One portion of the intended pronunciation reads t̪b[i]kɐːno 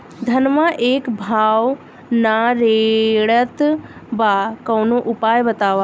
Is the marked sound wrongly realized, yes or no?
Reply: yes